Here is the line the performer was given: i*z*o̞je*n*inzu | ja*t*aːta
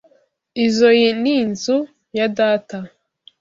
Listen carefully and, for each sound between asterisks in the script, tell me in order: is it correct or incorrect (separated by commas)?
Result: correct, correct, incorrect